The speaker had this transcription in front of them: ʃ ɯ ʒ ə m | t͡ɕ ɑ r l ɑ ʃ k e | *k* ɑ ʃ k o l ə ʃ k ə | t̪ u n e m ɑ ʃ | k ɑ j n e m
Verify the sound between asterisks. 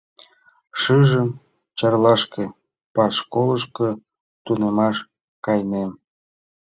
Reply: incorrect: p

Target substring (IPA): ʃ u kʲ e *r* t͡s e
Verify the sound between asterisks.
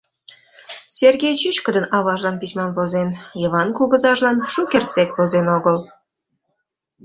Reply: correct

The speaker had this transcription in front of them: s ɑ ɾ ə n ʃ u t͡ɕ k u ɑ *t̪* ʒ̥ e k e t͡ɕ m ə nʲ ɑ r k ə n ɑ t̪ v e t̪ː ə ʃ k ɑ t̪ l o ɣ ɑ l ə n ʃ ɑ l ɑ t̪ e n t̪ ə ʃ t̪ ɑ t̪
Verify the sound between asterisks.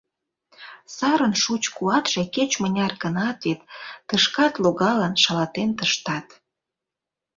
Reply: correct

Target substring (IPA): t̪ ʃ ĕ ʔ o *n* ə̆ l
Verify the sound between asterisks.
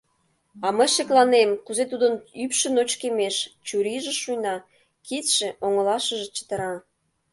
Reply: incorrect: ŋ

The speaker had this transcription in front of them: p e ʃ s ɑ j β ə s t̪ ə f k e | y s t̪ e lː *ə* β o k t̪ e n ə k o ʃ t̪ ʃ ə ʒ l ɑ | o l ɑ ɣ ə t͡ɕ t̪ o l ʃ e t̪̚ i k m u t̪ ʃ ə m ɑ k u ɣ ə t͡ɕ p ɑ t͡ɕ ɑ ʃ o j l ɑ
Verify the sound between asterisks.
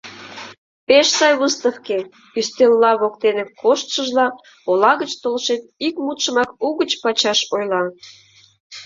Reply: incorrect: ɑ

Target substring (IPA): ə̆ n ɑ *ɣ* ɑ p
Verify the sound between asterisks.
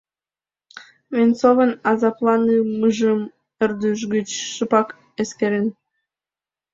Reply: incorrect: z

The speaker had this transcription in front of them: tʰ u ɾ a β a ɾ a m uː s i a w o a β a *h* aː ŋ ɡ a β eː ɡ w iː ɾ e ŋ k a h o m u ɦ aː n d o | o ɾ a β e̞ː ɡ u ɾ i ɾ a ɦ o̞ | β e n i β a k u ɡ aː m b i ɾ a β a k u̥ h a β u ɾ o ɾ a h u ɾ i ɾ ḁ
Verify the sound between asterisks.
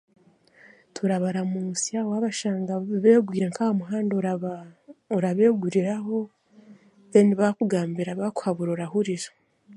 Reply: incorrect: ʃ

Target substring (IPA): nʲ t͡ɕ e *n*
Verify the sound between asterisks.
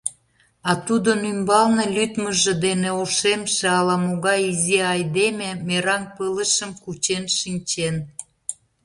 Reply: correct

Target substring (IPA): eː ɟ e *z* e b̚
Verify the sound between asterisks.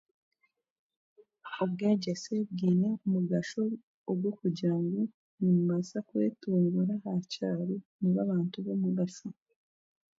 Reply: incorrect: s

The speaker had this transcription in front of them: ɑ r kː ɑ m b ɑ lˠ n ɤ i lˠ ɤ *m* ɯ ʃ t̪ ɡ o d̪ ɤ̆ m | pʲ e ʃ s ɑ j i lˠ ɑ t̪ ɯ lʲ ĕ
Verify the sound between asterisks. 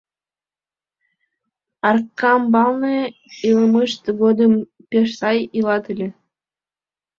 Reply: correct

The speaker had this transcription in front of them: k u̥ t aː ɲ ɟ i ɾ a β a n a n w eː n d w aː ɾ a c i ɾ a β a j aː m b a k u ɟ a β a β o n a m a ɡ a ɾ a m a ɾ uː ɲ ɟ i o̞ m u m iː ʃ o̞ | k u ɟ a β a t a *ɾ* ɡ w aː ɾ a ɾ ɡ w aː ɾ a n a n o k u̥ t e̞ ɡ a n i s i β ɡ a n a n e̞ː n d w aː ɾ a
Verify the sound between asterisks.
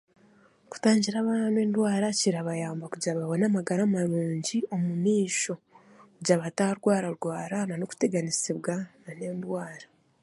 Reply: correct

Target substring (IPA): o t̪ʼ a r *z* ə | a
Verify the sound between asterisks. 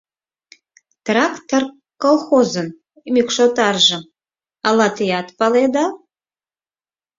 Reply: incorrect: ʒ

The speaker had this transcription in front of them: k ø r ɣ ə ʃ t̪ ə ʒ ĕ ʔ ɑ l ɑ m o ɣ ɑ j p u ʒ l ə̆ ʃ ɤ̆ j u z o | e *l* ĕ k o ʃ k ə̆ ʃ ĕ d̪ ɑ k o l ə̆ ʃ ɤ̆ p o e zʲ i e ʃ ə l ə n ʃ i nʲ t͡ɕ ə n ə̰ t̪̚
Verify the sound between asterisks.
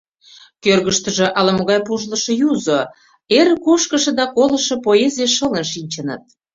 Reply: incorrect: ɾ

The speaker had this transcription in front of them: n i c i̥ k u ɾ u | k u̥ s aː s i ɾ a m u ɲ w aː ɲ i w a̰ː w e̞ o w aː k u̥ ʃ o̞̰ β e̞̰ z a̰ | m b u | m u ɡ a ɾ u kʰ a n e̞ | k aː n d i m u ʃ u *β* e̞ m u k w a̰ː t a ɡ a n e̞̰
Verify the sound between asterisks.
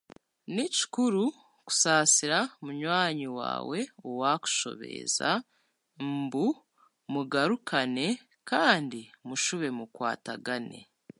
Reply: correct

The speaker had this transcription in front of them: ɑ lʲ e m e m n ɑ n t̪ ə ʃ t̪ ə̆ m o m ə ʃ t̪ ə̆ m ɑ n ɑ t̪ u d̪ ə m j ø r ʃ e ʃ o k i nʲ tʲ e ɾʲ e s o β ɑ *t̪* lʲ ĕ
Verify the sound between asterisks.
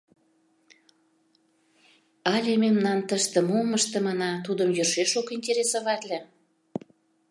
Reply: correct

